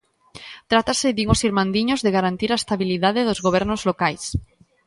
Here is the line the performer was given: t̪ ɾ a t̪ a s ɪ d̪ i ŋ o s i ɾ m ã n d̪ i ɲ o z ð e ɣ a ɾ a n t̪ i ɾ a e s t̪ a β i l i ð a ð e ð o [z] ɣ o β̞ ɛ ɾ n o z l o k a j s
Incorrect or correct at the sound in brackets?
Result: correct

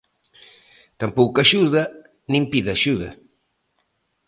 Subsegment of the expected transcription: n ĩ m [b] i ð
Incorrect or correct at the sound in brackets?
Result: incorrect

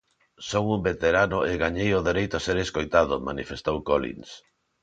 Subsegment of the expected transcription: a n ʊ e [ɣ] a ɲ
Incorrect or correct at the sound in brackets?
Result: correct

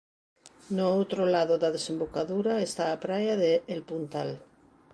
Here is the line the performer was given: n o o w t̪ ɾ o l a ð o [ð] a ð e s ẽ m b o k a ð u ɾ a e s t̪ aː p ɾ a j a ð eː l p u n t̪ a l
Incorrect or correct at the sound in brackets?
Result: correct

